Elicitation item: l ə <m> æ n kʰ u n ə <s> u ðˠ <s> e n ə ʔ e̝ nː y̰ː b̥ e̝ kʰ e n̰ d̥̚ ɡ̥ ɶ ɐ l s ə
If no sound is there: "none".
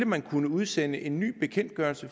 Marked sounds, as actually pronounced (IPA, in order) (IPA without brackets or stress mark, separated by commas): m, none, s